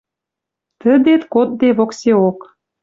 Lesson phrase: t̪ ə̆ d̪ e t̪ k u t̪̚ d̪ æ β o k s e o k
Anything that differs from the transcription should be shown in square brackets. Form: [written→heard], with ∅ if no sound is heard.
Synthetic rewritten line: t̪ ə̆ d̪ e t̪ k [u→o] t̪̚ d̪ [æ→e] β o k s e o k